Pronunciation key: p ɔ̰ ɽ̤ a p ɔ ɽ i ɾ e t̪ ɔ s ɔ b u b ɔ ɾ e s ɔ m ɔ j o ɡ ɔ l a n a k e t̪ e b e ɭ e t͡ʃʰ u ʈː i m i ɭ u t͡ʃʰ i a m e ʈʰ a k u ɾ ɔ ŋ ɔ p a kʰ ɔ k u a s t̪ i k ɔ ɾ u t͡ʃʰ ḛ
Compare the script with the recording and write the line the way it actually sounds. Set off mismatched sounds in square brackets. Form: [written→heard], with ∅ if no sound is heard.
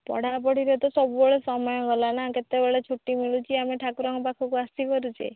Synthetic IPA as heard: p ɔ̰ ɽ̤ a p ɔ ɽ i ɾ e t̪ ɔ s ɔ b u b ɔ [ɾ→ɭ] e s ɔ m ɔ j [o→ɔ] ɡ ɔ l a n a k e t̪ e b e ɭ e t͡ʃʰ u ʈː i m i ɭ u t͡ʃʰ i a m e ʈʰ a k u ɾ ɔ ŋ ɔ p a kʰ ɔ k u a s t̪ i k ɔ ɾ u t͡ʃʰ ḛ